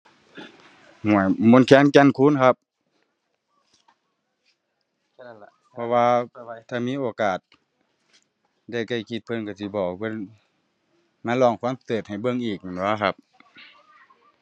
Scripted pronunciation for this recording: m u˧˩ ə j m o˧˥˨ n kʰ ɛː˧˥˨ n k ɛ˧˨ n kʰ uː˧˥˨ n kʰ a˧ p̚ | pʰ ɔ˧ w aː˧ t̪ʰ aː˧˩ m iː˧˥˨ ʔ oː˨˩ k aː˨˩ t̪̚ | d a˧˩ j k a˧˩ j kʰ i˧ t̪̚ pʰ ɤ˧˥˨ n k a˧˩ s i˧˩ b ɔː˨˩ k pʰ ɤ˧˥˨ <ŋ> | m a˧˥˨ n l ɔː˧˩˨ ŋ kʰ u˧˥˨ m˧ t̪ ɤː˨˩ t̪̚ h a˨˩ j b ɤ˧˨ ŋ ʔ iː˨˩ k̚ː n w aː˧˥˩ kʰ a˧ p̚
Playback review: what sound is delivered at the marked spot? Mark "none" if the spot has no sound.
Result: n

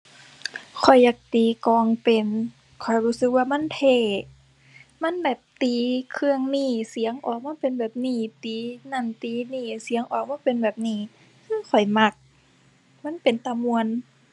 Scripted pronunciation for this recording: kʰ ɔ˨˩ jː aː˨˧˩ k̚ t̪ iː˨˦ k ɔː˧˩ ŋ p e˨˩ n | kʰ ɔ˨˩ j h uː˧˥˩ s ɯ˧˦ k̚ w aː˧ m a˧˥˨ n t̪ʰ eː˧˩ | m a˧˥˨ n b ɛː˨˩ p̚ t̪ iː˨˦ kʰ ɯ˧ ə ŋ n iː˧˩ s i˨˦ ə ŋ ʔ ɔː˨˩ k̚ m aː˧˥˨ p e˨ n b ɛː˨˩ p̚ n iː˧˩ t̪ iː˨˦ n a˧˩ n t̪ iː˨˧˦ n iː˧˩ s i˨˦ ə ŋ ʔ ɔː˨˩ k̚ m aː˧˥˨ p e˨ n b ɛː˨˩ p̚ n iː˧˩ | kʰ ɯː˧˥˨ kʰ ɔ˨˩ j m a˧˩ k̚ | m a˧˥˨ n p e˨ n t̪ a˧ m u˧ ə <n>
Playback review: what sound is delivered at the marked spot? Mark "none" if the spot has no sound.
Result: n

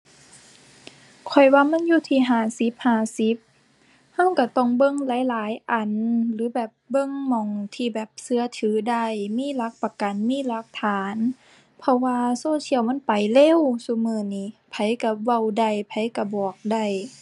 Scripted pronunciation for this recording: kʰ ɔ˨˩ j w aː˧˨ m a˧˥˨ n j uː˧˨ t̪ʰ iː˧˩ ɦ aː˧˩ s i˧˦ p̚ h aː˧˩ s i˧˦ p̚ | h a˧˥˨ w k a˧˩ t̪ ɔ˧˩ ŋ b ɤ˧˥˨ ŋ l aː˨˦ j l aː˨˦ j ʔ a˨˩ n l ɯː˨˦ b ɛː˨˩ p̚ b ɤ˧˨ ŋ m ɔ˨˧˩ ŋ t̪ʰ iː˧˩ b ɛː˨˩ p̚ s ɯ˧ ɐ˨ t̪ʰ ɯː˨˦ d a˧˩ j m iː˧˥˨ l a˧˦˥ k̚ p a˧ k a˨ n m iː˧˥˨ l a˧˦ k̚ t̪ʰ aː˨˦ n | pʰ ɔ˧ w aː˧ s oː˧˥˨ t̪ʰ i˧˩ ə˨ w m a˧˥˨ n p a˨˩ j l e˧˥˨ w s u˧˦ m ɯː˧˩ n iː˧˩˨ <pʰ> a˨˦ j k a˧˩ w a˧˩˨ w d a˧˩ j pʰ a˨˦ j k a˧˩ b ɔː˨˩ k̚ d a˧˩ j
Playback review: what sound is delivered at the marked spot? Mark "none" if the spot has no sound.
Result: pʰ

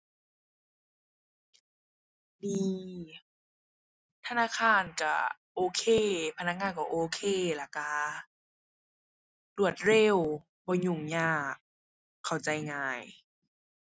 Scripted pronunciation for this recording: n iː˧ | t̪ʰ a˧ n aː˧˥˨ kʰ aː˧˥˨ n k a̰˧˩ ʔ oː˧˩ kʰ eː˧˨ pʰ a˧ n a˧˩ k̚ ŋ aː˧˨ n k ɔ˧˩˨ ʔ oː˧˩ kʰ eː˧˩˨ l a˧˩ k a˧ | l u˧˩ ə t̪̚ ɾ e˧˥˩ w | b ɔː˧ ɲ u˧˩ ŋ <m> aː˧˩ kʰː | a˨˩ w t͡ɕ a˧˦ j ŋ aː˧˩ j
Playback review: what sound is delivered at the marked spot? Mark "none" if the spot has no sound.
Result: ɲ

